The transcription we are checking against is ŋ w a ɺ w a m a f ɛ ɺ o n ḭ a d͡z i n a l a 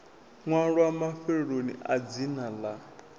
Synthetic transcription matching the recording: ŋ w a ɺ w a m a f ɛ ɺ o n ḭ a d͡z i n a l a